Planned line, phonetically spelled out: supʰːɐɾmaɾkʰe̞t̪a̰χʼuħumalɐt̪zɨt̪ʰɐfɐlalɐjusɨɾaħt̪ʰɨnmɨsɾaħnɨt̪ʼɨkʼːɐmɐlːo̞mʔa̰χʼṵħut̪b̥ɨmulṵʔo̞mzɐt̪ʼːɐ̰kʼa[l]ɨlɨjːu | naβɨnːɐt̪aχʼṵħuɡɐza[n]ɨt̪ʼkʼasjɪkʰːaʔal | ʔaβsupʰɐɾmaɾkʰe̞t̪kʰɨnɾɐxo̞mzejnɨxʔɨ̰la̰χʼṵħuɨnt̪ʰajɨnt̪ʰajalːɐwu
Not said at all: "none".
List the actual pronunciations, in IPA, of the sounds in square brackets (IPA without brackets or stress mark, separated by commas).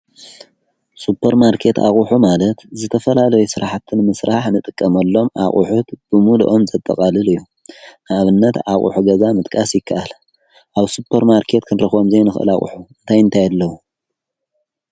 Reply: l, m